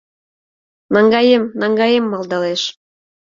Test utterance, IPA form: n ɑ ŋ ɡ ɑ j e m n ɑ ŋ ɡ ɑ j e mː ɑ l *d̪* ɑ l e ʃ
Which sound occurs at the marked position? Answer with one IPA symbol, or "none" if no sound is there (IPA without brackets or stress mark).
d̪